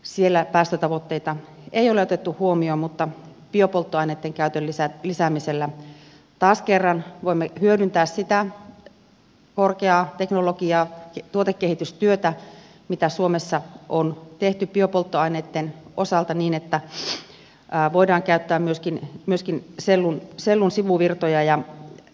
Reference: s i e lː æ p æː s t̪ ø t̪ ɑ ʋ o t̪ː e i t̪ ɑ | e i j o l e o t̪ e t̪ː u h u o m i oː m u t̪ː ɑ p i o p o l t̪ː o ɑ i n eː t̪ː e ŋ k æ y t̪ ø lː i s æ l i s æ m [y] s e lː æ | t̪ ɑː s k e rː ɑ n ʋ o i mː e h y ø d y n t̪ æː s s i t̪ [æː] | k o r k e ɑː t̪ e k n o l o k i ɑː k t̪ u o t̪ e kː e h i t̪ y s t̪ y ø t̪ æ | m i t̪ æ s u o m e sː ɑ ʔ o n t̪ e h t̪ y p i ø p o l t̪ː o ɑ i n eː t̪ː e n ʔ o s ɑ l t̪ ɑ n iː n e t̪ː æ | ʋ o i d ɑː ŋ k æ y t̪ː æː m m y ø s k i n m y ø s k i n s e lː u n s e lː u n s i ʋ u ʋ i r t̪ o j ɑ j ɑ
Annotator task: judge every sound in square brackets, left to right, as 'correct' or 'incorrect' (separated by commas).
incorrect, incorrect